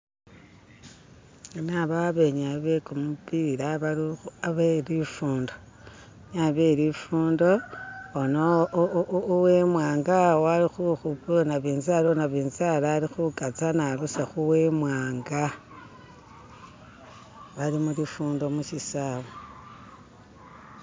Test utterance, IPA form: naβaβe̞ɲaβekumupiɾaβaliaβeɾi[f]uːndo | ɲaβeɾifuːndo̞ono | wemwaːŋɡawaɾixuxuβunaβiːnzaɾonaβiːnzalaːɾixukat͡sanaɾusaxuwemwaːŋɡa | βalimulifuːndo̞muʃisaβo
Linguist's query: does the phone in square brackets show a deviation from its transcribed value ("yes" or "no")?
no